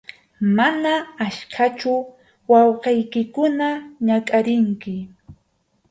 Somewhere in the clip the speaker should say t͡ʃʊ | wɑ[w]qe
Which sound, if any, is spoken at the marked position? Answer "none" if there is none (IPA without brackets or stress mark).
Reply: w